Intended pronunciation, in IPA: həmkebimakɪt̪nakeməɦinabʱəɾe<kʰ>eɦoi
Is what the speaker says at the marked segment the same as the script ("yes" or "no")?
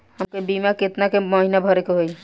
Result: no